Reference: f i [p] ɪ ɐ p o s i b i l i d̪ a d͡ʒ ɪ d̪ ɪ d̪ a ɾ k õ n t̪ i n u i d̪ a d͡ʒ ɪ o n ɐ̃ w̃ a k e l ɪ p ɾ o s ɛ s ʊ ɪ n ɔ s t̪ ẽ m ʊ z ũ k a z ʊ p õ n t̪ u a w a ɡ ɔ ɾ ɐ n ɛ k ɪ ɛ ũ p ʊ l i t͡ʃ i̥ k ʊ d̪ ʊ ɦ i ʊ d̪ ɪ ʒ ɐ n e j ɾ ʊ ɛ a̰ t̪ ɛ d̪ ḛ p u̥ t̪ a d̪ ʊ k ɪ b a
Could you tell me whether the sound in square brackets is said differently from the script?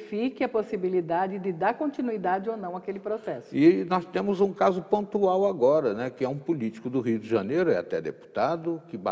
yes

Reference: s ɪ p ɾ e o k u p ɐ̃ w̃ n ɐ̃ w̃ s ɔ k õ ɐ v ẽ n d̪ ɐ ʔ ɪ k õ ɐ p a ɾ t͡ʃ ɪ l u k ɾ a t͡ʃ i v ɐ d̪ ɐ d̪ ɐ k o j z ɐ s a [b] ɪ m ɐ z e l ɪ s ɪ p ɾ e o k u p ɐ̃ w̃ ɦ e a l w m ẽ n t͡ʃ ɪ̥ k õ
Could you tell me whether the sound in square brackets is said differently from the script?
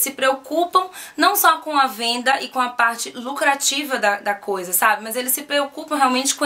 no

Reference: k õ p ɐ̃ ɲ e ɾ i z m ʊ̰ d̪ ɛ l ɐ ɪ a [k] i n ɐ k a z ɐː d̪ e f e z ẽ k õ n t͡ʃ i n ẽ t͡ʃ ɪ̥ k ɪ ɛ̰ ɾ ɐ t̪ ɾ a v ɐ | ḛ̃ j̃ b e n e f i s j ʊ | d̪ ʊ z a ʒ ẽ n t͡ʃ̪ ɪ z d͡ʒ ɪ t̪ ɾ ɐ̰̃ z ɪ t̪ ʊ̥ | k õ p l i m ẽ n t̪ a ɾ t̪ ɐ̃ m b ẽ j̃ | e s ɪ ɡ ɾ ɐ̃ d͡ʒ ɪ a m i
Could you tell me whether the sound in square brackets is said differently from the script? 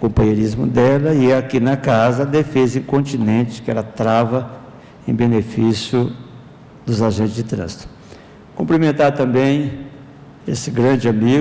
no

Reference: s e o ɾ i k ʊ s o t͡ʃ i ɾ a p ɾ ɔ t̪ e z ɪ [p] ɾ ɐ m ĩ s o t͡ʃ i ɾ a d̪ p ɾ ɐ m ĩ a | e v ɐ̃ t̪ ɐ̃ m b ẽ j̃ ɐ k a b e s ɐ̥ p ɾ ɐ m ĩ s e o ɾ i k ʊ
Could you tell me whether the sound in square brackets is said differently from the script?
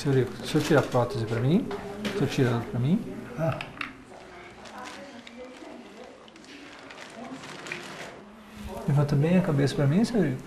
no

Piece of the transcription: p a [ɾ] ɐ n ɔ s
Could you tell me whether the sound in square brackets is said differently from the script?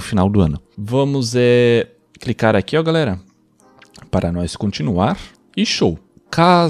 no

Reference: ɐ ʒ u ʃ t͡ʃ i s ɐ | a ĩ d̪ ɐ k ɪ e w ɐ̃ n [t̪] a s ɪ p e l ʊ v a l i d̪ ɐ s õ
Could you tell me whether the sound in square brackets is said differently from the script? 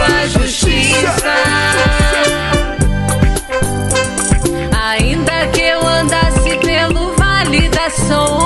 yes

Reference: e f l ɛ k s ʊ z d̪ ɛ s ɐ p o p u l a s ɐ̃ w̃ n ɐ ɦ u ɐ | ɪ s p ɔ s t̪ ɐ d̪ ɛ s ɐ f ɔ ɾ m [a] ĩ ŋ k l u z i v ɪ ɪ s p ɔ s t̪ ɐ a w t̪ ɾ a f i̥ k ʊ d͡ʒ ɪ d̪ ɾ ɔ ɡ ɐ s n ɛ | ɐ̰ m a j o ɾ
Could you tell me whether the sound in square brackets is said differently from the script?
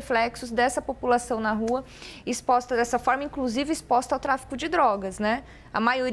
yes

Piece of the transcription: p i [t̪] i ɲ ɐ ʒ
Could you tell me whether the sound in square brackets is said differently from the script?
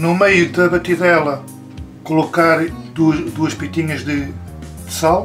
no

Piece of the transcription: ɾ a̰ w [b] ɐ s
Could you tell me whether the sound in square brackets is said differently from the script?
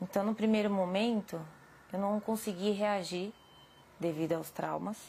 yes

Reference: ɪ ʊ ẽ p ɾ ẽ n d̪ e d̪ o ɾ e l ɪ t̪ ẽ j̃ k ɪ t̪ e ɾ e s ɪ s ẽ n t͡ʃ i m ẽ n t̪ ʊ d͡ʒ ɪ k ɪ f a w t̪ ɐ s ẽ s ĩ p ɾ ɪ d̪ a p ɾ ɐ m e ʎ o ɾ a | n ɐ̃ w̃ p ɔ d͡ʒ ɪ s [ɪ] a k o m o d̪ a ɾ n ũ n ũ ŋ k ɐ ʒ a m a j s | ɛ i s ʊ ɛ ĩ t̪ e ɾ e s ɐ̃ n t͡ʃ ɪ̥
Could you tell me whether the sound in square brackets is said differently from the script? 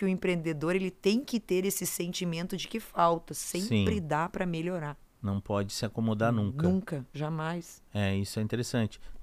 no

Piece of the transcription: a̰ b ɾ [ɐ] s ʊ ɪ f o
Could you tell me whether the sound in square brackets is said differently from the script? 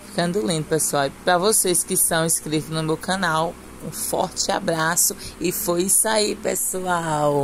yes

